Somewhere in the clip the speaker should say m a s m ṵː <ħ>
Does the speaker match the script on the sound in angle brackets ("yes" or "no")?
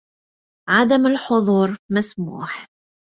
yes